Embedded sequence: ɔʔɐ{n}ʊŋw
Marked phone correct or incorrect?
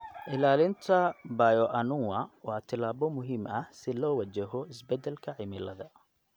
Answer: correct